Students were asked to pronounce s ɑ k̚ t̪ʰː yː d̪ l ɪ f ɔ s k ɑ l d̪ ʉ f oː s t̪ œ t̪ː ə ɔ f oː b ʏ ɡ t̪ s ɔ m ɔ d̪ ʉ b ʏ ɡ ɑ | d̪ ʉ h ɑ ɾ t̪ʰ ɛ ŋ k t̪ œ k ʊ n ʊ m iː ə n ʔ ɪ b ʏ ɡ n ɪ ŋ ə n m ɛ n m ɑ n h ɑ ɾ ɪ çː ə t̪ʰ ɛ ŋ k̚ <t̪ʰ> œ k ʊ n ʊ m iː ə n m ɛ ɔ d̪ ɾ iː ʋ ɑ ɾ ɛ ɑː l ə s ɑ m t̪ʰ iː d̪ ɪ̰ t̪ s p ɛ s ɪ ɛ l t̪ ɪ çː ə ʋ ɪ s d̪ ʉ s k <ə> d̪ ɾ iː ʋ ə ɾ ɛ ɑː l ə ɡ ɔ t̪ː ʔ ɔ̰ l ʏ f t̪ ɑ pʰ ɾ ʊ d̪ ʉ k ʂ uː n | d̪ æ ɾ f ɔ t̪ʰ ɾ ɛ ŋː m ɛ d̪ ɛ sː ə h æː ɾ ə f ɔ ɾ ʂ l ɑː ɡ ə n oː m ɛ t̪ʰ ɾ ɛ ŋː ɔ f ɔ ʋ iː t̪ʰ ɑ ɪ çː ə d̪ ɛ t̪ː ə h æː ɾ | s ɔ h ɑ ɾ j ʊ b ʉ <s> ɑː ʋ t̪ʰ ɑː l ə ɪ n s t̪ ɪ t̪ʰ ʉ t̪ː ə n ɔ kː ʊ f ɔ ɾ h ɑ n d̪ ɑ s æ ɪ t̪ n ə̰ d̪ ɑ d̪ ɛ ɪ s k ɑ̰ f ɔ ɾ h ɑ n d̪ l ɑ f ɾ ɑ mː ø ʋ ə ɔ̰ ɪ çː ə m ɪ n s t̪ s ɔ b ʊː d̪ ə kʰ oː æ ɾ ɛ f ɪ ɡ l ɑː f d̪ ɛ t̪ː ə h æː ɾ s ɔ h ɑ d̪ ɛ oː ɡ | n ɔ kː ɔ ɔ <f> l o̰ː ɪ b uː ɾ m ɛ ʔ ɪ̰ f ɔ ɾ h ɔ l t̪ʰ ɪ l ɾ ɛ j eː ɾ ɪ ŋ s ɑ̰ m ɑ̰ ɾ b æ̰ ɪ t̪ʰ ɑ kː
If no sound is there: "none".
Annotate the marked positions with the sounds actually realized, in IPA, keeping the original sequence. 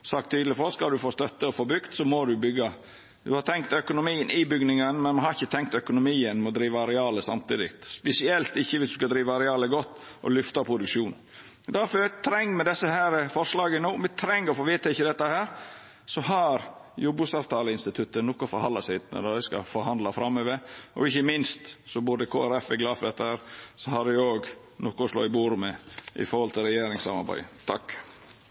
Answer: t̪, ɑ, s, s

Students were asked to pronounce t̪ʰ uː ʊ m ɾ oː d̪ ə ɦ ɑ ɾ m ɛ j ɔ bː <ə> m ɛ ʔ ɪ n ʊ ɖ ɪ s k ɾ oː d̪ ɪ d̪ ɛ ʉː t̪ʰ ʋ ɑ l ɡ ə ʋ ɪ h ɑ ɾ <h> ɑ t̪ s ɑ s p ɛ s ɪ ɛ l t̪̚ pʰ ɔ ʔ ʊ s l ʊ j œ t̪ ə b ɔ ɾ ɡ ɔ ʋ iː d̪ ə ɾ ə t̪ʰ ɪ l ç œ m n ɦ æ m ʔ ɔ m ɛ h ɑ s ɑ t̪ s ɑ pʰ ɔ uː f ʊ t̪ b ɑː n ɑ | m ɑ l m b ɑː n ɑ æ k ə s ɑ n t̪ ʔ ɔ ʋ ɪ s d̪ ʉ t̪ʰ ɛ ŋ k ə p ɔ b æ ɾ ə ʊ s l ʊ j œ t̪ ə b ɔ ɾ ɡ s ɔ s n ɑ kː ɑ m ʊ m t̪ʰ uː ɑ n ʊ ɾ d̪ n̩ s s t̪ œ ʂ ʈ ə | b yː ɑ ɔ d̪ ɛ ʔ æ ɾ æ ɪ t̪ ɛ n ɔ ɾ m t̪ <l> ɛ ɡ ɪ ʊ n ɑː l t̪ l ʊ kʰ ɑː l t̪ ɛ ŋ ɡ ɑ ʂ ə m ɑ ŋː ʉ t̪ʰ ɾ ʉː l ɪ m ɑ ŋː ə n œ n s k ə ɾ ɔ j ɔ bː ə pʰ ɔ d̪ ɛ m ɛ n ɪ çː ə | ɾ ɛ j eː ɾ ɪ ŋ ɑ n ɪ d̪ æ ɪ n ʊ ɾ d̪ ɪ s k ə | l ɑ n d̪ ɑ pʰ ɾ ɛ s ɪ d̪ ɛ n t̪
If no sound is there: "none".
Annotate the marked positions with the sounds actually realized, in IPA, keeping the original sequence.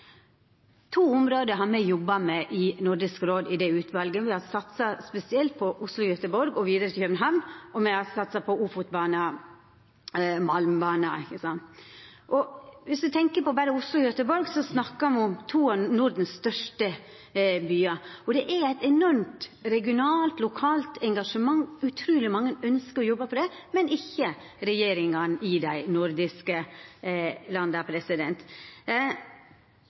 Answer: ɑ, s, ɾ

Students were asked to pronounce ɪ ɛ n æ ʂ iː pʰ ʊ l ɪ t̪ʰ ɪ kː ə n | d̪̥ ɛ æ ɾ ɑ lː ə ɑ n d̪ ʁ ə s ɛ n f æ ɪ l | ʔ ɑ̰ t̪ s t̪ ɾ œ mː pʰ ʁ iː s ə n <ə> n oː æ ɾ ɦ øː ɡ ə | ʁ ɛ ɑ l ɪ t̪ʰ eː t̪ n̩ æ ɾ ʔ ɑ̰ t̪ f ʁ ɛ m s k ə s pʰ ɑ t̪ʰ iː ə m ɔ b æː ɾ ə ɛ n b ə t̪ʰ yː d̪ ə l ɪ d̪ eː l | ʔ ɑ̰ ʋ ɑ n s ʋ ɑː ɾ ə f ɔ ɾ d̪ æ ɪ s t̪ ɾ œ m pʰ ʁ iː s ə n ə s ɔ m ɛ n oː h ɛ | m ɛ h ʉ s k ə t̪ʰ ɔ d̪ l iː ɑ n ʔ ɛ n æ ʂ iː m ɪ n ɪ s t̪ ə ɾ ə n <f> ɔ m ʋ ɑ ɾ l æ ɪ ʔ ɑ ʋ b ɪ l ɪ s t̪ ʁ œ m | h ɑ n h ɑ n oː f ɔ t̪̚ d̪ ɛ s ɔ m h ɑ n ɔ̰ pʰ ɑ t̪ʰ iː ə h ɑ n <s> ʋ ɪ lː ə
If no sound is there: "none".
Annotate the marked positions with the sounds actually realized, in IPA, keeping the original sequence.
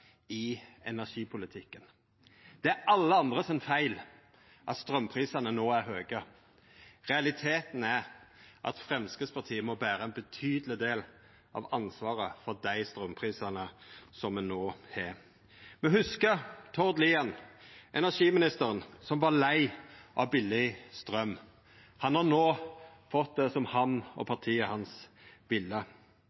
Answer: ə, s, s

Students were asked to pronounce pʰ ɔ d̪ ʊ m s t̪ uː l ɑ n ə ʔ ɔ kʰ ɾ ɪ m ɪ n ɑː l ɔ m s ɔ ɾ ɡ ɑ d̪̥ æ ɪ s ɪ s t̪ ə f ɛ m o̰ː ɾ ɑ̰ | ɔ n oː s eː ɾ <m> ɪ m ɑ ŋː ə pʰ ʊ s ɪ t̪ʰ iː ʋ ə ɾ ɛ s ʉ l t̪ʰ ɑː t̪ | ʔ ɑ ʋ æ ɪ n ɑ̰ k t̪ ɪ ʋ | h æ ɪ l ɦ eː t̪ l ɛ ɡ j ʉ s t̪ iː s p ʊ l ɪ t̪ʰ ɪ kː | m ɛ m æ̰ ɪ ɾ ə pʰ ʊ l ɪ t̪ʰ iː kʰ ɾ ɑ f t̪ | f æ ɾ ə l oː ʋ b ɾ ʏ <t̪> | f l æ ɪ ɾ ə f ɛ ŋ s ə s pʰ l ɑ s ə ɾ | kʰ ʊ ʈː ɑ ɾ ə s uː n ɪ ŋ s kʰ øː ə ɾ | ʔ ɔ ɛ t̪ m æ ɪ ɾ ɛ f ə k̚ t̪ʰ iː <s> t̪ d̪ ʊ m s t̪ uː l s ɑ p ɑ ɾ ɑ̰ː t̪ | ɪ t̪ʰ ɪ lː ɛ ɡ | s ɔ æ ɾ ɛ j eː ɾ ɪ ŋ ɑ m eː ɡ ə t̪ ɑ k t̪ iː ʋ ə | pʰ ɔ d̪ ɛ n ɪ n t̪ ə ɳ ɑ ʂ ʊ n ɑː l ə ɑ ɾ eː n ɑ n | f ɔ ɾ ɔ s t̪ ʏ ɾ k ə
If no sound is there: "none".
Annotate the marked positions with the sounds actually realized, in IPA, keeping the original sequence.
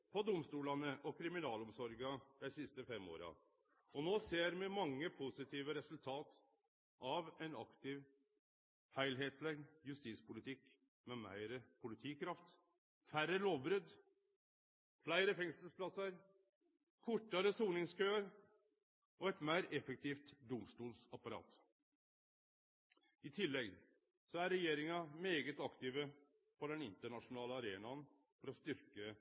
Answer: m, d̪, f

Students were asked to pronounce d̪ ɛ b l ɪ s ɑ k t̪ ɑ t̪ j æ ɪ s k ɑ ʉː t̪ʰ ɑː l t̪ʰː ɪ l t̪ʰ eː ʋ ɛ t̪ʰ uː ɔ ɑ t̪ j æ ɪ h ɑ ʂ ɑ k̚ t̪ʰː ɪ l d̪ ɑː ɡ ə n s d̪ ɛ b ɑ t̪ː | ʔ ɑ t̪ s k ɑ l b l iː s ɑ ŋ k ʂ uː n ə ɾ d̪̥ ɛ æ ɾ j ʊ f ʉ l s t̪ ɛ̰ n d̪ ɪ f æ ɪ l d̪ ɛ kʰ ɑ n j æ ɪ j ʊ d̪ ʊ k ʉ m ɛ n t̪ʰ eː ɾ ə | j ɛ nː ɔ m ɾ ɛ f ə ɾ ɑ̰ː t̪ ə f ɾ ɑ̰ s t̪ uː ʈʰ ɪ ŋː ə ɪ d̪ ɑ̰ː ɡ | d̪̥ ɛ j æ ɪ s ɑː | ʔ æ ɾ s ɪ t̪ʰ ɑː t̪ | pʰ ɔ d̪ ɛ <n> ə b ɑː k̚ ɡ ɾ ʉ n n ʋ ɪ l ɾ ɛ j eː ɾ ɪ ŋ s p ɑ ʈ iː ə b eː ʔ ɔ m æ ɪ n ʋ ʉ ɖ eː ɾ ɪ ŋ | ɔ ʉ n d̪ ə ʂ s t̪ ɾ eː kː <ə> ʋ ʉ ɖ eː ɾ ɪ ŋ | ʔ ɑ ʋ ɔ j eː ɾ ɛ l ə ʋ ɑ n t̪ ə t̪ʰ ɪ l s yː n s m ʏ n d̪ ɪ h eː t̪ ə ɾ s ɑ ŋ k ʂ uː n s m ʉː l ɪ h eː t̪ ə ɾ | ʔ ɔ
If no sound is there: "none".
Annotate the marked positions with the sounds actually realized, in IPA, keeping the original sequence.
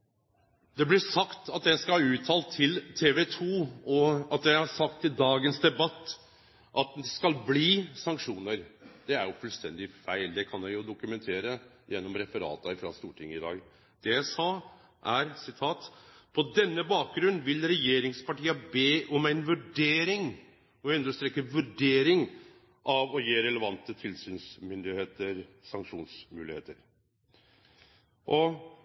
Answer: nː, ə

